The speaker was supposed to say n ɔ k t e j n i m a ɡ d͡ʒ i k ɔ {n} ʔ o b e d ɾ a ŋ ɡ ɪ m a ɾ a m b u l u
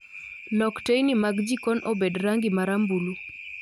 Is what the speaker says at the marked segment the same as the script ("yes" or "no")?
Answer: yes